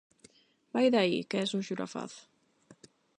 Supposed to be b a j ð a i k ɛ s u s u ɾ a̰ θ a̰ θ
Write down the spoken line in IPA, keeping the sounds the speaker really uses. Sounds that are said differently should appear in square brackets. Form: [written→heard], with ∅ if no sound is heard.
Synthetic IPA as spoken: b a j ð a i k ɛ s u [s→ʃ] u ɾ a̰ [θ→f] a̰ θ